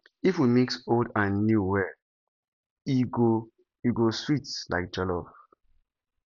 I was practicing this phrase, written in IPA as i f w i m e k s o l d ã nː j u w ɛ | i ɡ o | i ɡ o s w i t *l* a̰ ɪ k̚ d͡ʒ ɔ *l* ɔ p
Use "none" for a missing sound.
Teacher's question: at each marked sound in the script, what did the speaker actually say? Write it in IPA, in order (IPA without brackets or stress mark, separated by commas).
l, l